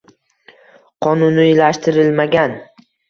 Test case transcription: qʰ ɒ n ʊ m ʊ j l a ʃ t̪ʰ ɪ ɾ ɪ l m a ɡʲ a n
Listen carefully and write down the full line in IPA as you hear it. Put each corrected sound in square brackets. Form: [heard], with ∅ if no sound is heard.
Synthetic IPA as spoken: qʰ ɒ n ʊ [n] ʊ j l a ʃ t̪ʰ ɪ ɾ ɪ l m a ɡʲ a n